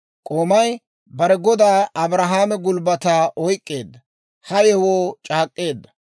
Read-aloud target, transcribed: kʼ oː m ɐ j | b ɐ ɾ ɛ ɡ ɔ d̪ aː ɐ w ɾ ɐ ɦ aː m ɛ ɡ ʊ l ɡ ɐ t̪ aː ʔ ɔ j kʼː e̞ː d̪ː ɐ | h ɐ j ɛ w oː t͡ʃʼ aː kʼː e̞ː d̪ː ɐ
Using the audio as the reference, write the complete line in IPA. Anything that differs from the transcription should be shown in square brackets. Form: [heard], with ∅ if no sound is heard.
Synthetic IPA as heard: kʼ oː m ɐ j | b ɐ ɾ ɛ ɡ ɔ d̪ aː ɐ [b] ɾ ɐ ɦ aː m ɛ ɡ ʊ l [b] ɐ t̪ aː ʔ ɔ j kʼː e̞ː d̪ː ɐ | h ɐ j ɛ w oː t͡ʃʼ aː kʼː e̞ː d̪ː ɐ